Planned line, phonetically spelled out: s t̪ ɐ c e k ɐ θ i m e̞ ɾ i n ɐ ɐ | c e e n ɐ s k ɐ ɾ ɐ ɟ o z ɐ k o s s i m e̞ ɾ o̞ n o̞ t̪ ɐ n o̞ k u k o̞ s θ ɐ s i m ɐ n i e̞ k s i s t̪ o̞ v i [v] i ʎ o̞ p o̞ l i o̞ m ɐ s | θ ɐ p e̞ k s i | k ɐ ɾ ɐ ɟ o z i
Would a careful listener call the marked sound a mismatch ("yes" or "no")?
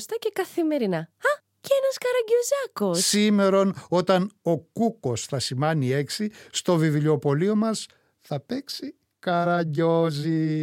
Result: no